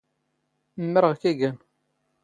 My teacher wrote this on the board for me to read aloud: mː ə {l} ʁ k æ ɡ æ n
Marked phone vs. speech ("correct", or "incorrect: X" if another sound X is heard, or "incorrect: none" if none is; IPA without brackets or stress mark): incorrect: ɾ